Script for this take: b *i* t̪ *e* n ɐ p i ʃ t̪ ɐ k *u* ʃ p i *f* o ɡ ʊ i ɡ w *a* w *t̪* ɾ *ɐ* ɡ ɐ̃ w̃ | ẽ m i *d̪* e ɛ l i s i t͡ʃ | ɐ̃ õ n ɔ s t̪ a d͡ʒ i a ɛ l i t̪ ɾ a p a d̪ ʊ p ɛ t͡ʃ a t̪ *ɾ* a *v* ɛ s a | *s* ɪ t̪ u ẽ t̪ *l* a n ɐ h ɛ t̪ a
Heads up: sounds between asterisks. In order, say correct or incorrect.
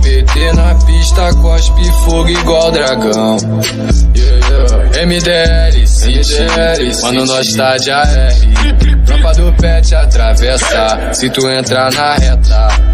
incorrect: e, correct, incorrect: ɔ, correct, correct, incorrect: d̪, incorrect: a, correct, correct, correct, correct, incorrect: ɾ

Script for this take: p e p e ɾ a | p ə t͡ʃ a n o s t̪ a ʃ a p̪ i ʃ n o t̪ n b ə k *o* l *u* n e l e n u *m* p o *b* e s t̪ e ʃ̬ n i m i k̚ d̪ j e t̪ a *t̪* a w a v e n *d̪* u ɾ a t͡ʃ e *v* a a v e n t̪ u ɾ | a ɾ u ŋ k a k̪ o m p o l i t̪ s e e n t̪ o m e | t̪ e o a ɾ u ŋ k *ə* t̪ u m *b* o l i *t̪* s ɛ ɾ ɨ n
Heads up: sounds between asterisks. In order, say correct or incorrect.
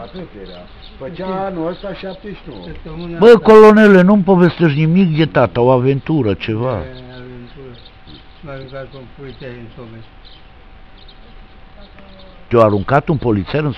correct, incorrect: o, correct, incorrect: v, correct, incorrect: t̪, correct, incorrect: a, incorrect: p, correct

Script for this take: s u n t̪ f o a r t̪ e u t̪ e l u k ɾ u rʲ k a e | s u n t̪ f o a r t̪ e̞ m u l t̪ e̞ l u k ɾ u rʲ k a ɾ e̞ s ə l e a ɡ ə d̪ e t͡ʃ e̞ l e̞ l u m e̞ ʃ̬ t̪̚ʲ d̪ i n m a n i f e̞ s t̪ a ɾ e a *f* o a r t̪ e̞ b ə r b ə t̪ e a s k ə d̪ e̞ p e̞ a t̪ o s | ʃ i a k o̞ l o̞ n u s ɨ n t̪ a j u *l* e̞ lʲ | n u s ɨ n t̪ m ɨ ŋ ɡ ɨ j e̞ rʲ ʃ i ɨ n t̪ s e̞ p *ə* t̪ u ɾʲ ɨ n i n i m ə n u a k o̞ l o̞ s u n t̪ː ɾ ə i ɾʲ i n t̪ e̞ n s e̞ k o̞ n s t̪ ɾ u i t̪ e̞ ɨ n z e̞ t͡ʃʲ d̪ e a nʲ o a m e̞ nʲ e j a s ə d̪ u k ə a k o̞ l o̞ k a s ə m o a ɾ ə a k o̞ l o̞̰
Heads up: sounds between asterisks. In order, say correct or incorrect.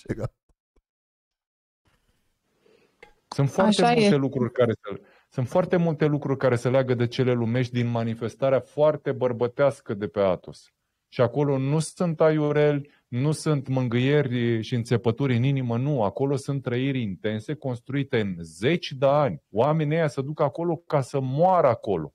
correct, incorrect: ɾ, correct

